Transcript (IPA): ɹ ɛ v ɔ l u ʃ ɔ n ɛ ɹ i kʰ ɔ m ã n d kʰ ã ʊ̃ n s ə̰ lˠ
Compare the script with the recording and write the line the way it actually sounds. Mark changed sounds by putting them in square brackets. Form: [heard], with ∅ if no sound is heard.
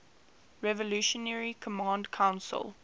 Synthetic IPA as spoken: ɹ ɛ v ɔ l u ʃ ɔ n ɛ ɹ i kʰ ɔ m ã n d kʰ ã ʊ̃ n s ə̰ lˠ